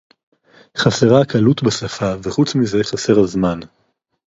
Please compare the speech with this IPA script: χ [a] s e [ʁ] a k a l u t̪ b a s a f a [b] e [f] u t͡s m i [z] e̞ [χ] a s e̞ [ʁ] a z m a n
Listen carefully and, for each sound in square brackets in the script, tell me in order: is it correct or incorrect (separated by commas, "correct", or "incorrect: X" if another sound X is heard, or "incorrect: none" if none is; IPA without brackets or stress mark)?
correct, correct, incorrect: v, incorrect: χ, correct, correct, correct